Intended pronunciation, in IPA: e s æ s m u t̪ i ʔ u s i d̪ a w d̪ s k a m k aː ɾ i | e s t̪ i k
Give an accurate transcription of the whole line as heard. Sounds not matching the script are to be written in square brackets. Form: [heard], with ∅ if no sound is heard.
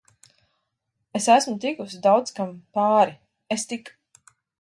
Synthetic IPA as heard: e s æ s m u t̪ i [k] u s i d̪ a w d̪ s k a m [p] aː ɾ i | e s t̪ i k